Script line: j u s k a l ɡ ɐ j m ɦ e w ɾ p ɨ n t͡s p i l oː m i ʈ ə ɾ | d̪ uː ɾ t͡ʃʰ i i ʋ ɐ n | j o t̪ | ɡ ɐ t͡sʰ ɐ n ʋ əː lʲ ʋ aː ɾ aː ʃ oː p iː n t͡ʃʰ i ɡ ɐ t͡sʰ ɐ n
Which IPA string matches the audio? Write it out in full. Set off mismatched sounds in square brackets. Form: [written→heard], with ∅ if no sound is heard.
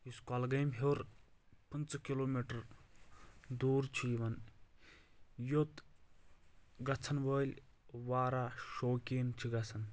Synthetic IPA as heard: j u s k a l ɡ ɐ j m ɦ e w ɾ p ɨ n t͡s [p→k] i l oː m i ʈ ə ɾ | d̪ uː ɾ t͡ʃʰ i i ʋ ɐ n | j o t̪ | ɡ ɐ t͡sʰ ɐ n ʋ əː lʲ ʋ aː ɾ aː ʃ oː [p→k] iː n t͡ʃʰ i ɡ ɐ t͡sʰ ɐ n